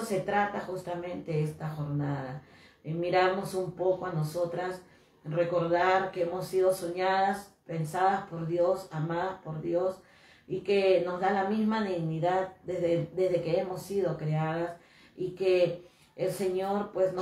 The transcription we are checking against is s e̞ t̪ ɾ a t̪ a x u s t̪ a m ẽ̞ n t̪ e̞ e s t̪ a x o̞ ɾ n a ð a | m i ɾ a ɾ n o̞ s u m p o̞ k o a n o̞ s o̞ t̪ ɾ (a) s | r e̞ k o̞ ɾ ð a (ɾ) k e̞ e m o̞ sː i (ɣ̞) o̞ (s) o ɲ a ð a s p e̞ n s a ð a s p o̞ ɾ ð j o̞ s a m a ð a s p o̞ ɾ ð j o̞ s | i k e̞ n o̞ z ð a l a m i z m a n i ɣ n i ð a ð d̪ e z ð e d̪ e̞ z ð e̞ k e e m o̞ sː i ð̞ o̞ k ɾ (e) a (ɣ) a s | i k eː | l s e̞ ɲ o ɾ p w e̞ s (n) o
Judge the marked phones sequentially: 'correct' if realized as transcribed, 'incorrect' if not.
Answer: correct, correct, incorrect: ð̞, correct, correct, incorrect: ð, correct

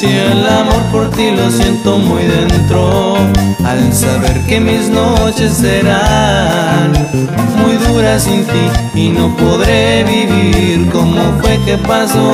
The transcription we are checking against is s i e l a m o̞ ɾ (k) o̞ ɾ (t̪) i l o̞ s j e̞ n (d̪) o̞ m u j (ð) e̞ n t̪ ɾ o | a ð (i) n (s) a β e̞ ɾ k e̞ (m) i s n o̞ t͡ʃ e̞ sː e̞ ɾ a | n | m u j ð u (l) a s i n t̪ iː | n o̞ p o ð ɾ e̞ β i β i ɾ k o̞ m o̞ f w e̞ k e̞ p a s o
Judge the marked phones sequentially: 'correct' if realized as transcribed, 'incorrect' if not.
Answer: incorrect: p, correct, incorrect: t̪, correct, incorrect: e, correct, correct, incorrect: ɾ

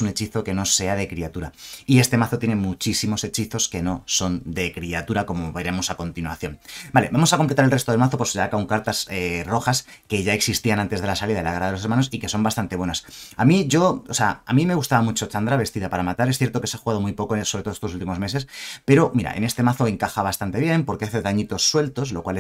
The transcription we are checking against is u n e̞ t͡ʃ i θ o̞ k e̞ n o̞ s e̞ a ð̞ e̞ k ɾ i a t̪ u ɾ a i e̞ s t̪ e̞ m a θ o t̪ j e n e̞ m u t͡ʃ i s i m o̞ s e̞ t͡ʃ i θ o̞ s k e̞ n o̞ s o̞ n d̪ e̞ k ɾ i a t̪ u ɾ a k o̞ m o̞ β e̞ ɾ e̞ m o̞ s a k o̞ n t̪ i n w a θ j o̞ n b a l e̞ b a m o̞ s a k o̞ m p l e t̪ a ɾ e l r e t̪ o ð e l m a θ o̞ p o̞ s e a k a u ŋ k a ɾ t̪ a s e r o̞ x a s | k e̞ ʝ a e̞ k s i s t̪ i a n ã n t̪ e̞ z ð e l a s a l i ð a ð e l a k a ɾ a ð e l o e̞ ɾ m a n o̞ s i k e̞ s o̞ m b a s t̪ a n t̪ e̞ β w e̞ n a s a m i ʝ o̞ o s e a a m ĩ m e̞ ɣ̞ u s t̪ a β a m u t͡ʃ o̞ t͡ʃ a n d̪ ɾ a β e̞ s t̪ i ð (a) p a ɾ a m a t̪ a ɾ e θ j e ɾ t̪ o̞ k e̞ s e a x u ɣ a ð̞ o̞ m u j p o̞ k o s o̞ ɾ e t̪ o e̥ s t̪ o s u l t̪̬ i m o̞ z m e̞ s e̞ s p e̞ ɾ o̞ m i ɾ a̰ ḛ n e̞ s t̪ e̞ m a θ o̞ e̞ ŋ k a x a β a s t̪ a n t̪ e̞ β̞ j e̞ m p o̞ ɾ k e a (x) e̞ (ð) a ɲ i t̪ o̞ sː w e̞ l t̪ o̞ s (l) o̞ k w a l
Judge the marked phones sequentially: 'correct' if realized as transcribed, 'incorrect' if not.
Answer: correct, incorrect: θ, correct, correct

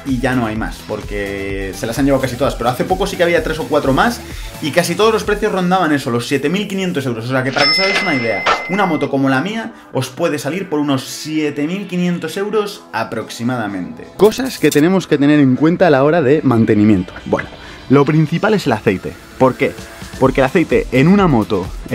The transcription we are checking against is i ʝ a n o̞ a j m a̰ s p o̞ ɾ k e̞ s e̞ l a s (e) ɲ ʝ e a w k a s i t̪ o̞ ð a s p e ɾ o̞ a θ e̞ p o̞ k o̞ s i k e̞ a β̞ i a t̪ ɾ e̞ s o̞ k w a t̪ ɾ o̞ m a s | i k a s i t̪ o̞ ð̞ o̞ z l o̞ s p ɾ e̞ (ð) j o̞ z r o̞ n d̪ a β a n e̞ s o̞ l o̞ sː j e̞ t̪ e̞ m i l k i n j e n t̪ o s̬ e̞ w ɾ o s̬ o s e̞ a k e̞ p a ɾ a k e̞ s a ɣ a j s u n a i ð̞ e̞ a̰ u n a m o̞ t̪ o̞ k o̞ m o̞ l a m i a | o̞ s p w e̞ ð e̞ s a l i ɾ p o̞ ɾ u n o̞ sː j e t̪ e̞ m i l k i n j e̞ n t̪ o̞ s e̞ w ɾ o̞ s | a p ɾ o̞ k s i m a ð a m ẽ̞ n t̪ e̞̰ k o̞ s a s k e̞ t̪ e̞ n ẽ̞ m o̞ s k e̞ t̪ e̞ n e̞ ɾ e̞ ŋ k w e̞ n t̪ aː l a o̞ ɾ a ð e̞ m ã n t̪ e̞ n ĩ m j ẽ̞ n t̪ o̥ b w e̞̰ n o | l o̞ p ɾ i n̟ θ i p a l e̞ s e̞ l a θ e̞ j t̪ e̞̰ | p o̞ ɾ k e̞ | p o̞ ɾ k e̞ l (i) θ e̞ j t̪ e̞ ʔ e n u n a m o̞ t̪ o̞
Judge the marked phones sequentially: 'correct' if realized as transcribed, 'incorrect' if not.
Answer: incorrect: a, incorrect: θ, incorrect: a

